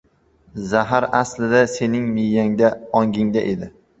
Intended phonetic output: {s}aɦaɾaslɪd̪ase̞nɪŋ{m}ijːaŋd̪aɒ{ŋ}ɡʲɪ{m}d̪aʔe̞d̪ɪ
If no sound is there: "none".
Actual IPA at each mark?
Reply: z, m, ŋ, ŋ

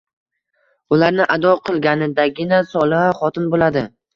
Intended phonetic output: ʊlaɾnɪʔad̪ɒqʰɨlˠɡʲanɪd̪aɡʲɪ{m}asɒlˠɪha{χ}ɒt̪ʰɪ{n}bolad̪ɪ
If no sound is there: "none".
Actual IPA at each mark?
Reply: n, χ, n

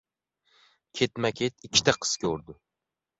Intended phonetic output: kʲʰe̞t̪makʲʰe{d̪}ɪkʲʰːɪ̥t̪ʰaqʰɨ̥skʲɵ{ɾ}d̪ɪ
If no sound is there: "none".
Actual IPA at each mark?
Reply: t̪, ɾ

